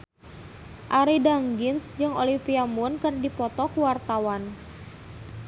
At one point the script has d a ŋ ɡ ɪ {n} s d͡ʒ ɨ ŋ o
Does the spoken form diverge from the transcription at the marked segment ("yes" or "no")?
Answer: no